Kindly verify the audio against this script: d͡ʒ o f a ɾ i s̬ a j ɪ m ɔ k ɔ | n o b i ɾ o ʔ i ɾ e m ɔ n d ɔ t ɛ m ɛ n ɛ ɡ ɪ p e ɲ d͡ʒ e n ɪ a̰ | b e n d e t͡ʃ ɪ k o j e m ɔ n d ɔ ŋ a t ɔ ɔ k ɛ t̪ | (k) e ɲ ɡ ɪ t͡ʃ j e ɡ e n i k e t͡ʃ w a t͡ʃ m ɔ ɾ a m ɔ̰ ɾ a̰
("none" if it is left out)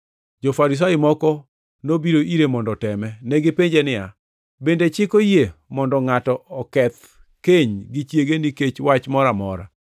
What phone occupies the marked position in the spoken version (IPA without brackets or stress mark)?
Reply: k